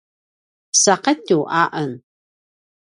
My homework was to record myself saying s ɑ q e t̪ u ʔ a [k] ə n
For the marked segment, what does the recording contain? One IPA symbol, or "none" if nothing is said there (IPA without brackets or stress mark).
ʔ